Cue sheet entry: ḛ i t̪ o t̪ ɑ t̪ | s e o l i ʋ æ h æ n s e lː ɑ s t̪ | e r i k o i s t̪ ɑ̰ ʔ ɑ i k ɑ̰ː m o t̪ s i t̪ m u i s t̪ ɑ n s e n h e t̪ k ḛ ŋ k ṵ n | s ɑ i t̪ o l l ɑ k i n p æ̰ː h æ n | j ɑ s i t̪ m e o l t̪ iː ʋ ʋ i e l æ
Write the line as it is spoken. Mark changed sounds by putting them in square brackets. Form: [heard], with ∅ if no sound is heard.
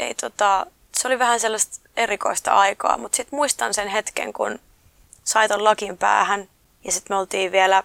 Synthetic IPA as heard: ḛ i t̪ o t̪ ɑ [∅] | s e o l i ʋ æ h æ n s e lː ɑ s t̪ | e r i k o i s t̪ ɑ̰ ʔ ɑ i k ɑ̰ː m [u] t̪ s i t̪ m u i s t̪ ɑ n s e n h e t̪ k ḛ ŋ k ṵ n | s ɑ i t̪ o l l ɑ k i [m] p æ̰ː h æ n | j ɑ s i t̪ m e o l t̪ iː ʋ ʋ i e l æ